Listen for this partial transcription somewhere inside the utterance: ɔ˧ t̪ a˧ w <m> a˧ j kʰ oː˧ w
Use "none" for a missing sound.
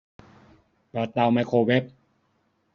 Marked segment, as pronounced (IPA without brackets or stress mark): m